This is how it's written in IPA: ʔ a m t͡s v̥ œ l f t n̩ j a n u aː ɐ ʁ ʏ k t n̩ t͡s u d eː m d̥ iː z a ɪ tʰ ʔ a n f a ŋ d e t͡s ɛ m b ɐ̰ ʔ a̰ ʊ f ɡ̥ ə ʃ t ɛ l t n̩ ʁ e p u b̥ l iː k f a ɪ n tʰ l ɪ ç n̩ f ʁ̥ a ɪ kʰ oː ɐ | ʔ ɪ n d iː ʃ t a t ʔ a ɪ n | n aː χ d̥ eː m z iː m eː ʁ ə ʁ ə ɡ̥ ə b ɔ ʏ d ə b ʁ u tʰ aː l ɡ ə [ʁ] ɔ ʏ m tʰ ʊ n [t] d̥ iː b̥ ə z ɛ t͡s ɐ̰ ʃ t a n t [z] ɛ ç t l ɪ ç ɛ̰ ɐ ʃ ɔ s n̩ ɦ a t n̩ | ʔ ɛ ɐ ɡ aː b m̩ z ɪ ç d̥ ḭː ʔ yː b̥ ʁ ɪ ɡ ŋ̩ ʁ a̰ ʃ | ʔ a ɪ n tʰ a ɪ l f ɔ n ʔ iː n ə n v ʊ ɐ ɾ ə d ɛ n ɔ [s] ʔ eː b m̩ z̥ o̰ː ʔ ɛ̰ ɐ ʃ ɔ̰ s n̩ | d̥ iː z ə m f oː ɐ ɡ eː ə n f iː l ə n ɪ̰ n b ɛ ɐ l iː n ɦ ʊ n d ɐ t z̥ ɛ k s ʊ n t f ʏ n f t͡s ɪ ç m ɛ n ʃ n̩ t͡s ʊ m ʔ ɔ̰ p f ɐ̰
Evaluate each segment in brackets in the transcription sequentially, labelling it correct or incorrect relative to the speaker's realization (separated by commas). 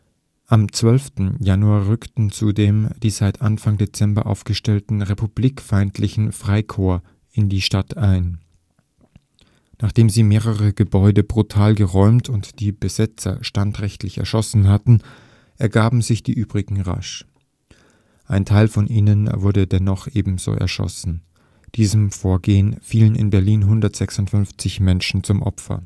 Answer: correct, correct, incorrect, incorrect